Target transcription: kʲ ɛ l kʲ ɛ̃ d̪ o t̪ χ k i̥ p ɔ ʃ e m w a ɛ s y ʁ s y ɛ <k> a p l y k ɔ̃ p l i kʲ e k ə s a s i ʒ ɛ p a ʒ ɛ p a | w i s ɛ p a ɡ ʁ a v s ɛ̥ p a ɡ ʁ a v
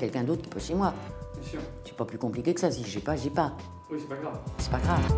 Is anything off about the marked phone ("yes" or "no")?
yes